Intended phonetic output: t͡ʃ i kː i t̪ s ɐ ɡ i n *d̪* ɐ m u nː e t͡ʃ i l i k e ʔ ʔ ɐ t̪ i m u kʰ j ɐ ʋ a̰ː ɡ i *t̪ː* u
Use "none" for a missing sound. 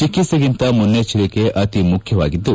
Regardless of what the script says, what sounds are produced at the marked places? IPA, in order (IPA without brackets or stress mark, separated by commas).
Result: t̪, d̪ː